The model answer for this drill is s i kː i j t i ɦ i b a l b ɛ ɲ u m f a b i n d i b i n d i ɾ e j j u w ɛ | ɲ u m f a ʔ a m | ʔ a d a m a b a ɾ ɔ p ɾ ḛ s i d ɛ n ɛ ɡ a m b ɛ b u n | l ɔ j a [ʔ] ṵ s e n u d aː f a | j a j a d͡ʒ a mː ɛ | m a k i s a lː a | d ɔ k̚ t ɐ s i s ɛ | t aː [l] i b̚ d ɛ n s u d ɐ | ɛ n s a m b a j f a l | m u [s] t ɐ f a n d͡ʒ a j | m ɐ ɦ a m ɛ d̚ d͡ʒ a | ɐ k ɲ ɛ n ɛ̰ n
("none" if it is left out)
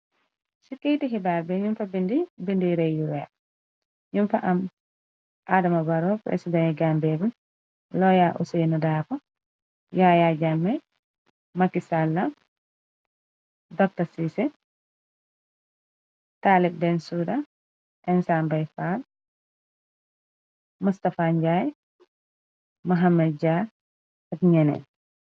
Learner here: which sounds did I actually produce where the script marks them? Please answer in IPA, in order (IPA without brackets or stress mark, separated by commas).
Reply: ʔ, l, s